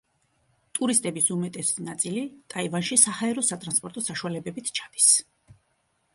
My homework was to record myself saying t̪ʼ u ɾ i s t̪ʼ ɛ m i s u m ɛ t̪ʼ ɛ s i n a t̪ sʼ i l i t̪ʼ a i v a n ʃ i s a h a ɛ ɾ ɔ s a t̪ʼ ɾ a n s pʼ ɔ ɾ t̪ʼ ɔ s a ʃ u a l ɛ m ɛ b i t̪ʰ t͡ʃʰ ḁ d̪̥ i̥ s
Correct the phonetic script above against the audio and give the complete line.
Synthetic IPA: t̪ʼ u ɾ i s t̪ʼ ɛ b i s u m ɛ t̪ʼ ɛ s i n a t̪ sʼ i l i t̪ʼ a i v a n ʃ i s a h a ɛ ɾ ɔ s a t̪ʼ ɾ a n s pʼ ɔ ɾ t̪ʼ ɔ s a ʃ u a l ɛ b ɛ b i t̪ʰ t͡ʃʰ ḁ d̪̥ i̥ s